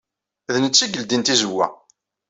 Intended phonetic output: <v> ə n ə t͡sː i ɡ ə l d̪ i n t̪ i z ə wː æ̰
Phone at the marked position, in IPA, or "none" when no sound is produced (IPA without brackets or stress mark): ð